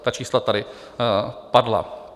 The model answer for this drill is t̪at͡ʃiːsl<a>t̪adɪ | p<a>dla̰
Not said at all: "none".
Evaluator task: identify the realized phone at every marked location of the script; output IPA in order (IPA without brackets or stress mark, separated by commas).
a, a